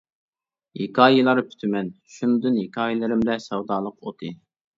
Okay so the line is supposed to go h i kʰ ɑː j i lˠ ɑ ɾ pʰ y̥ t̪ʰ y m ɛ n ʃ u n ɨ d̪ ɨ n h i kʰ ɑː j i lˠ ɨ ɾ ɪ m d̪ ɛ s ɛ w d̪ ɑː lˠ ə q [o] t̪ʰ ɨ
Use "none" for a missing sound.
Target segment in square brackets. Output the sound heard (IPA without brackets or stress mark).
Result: o